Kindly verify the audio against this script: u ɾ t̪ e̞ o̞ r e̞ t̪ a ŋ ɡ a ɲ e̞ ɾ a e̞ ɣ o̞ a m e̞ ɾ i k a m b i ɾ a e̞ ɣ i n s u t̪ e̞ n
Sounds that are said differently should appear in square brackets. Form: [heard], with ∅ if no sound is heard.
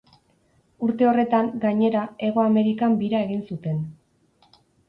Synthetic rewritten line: u ɾ t̪ e̞ o̞ r e̞ t̪ a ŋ ɡ a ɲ e̞ ɾ a e̞ ɣ o̞ a m e̞ ɾ i k a m b i ɾ a e̞ ɣ i n s u t̪ e̞ n